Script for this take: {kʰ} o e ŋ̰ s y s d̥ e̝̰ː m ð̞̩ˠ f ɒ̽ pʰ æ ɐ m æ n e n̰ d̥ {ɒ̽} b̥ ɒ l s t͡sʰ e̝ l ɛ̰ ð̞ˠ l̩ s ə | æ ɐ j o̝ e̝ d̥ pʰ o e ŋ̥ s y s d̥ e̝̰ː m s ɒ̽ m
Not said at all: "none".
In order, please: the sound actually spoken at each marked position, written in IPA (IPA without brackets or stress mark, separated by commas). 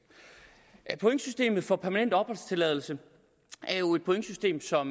pʰ, ɒ̽